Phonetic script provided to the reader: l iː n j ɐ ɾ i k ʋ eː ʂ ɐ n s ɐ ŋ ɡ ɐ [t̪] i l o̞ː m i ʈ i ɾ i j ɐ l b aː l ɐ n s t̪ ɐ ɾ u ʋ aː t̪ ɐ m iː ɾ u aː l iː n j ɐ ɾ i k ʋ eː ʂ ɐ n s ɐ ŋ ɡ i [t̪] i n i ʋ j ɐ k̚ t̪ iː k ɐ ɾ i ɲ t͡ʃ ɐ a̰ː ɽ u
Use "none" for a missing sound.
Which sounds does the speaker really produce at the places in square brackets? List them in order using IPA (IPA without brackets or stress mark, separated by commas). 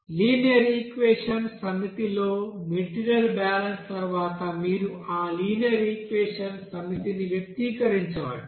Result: t̪, t̪